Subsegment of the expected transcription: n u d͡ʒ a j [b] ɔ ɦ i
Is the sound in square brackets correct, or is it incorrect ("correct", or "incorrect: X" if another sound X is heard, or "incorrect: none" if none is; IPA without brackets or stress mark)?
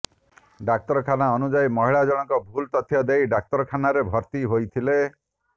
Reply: incorrect: m